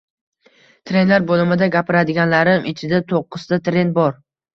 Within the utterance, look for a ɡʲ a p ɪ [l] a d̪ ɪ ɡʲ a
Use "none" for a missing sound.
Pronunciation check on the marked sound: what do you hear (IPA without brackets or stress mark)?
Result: ɾ